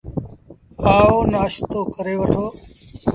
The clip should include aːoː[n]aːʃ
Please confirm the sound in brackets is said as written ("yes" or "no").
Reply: yes